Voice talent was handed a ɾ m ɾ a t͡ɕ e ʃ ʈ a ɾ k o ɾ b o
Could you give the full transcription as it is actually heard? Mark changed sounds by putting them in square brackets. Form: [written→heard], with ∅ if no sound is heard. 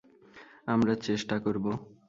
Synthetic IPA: a [ɾ→∅] m ɾ a t͡ɕ e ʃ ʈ a [ɾ→∅] k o ɾ b o